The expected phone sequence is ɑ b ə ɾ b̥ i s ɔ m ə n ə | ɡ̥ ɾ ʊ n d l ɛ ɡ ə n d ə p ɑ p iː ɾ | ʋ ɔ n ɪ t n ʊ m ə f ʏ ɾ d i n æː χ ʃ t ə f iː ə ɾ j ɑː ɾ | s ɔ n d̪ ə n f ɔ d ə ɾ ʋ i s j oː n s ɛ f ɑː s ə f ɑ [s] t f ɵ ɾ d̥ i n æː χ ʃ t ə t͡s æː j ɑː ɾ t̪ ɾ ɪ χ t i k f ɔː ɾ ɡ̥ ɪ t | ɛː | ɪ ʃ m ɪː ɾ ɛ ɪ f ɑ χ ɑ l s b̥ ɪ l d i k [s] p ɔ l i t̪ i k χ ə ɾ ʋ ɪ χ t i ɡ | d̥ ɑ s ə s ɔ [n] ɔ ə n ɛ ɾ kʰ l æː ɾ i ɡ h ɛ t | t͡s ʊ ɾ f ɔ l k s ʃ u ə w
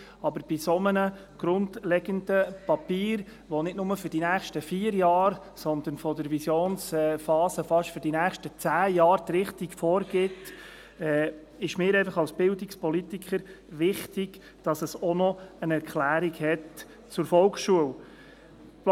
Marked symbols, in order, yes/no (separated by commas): no, yes, yes